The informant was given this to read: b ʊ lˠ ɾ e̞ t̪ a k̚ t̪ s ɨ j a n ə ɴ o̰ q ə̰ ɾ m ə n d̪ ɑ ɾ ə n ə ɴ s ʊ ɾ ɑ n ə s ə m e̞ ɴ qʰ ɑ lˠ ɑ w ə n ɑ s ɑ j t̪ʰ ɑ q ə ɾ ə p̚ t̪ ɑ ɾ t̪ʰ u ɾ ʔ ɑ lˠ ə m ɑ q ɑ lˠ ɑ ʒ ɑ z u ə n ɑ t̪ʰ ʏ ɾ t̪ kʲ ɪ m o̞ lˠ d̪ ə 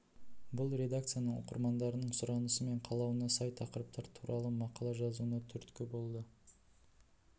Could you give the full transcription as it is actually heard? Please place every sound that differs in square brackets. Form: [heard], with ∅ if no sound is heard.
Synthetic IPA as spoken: b ʊ lˠ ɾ e̞ [d̪] a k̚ t̪ s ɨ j a n ə ɴ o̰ q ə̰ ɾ m [ɑ] n d̪ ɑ ɾ ə n ə ɴ s ʊ ɾ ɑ n ə s ə m e̞ ɴ qʰ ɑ lˠ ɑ w ə n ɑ s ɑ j t̪ʰ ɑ q ə ɾ ə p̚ t̪ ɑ ɾ t̪ʰ u ɾ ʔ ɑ lˠ ə m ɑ q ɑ lˠ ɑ ʒ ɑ z u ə n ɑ t̪ʰ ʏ ɾ t̪ kʲ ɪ [b] o̞ lˠ d̪ ə

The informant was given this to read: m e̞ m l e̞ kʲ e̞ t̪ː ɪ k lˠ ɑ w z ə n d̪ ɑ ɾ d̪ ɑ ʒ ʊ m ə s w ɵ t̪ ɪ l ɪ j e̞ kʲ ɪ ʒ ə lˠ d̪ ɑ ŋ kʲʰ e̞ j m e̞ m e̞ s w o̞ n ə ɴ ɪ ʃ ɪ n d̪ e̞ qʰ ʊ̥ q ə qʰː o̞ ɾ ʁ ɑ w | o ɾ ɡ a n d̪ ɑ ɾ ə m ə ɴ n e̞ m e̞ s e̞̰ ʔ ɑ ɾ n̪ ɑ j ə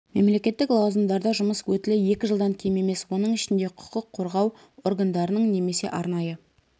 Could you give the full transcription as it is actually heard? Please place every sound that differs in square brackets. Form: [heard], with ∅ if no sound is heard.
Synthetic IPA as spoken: m e̞ m l e̞ kʲ e̞ t̪ː ɪ k lˠ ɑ w z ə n d̪ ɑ ɾ d̪ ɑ ʒ ʊ m ə s w ɵ t̪ ɪ l ɪ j e̞ kʲ ɪ ʒ ə lˠ d̪ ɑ ŋ kʲʰ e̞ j m e̞ m e̞ s w o̞ n ə ɴ ɪ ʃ ɪ n d̪ e̞ qʰ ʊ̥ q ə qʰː o̞ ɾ ʁ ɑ w | o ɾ ɡ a n d̪ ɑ ɾ ə [n] ə ɴ n e̞ m e̞ s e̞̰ ʔ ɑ ɾ n̪ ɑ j ə

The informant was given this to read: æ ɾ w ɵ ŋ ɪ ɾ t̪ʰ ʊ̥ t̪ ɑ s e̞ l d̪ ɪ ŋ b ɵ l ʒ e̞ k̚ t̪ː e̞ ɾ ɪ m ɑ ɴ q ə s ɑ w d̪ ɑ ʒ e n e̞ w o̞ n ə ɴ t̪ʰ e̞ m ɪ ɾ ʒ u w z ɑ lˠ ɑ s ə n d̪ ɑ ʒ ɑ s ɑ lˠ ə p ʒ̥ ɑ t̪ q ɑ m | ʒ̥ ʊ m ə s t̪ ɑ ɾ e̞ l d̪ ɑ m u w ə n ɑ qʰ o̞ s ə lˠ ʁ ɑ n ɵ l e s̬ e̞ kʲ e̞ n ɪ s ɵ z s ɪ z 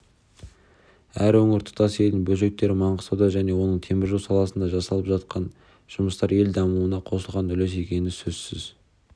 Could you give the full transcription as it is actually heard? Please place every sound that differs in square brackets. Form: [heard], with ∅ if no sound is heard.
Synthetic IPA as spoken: æ ɾ w ɵ ŋ ɪ ɾ t̪ʰ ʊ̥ t̪ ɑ s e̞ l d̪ ɪ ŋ b ɵ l ʒ e̞ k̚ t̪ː e̞ ɾ ɪ m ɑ ɴ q ə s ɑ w d̪ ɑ ʒ [æ] n e̞ w o̞ n ə ɴ t̪ʰ e̞ m ɪ ɾ ʒ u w [s] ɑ lˠ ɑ s ə n d̪ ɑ ʒ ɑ s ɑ lˠ ə p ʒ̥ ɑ t̪ q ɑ [n] | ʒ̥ ʊ m ə s t̪ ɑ ɾ e̞ l d̪ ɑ m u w ə n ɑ qʰ o̞ s ə lˠ ʁ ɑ n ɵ l e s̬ e̞ kʲ e̞ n ɪ s ɵ z s ɪ z

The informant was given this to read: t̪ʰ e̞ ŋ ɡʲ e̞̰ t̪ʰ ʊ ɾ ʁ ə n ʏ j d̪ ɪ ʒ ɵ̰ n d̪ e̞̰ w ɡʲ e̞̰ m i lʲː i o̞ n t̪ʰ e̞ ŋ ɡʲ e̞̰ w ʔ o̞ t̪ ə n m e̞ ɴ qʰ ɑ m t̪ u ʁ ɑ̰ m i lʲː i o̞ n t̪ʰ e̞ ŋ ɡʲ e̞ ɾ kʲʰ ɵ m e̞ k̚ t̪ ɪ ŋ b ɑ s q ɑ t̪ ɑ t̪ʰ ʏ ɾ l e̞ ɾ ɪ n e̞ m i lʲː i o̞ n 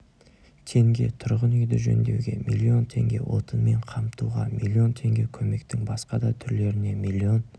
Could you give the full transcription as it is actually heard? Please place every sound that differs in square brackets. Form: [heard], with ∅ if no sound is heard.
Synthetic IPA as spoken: t̪ʰ e̞ ŋ ɡʲ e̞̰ t̪ʰ ʊ ɾ ʁ ə n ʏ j d̪ ɪ ʒ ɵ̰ n d̪ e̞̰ w ɡʲ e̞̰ m i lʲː i o̞ n t̪ʰ e̞ ŋ ɡʲ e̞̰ w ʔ o̞ t̪ ə n m e̞ ɴ qʰ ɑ m t̪ u ʁ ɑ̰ m i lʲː i o̞ n t̪ʰ e̞ ŋ ɡʲ e̞ [∅] kʲʰ ɵ m e̞ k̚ t̪ ɪ ŋ b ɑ s q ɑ [d̪] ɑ t̪ʰ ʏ ɾ l e̞ ɾ ɪ n e̞ m i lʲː i o̞ n

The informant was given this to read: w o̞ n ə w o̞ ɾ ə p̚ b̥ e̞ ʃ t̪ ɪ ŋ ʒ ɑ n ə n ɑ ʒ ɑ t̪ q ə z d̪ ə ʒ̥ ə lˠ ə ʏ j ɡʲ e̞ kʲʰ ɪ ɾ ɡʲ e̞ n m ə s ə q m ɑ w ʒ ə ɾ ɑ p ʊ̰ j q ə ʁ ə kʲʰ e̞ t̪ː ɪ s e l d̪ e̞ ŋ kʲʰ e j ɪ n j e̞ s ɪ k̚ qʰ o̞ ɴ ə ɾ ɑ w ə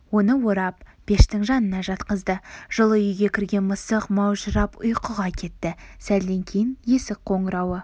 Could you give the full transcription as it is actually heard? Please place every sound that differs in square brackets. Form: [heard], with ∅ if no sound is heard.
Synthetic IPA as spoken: w o̞ n ə w o̞ ɾ [ɑ] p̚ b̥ e̞ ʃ t̪ ɪ ŋ ʒ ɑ n ə n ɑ ʒ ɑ t̪ q ə z d̪ ə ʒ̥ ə lˠ ə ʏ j ɡʲ e̞ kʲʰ ɪ ɾ ɡʲ e̞ n m ə s ə q m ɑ w ʒ ə ɾ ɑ p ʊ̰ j q ə ʁ [ɑ] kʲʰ e̞ t̪ː ɪ s [æ] l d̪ e̞ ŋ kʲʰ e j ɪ n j e̞ s ɪ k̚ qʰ o̞ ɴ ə ɾ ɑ w ə

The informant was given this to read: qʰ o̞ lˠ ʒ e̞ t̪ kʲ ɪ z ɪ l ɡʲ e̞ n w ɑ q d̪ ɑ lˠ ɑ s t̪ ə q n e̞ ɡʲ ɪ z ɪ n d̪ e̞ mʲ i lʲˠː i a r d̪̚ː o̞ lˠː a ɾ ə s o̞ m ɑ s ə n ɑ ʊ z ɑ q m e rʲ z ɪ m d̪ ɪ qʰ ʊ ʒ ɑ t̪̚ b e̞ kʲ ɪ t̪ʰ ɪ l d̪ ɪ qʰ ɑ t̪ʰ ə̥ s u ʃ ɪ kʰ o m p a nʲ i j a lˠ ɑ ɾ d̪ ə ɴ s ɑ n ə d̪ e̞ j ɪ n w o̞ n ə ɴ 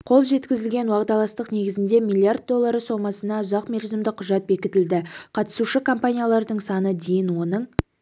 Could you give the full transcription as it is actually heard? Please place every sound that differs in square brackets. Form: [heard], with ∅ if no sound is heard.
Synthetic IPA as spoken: qʰ o̞ lˠ ʒ e̞ t̪ kʲ ɪ z ɪ l ɡʲ e̞ n w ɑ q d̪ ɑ lˠ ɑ s t̪ ə q n e̞ ɡʲ ɪ z ɪ n d̪ e̞ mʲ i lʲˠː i a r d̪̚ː o̞ lˠː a ɾ ə s o̞ m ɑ s ə n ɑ ʊ z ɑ q m e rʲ z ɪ m d̪ ɪ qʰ ʊ ʒ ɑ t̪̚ b e̞ kʲ ɪ [t̪] ɪ l d̪ ɪ qʰ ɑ [t̪] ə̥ s u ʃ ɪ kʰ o m p a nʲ i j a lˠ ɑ ɾ d̪ ə ɴ s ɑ n ə d̪ e̞ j ɪ n w o̞ n ə ɴ

